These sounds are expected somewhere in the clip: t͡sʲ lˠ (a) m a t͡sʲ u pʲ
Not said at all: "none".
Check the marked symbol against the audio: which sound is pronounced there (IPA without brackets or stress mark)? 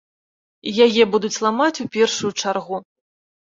a